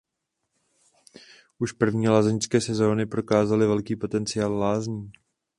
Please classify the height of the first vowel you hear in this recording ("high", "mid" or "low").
high